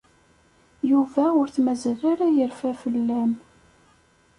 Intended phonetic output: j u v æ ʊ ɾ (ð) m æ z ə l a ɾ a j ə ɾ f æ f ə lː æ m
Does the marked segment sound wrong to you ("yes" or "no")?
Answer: yes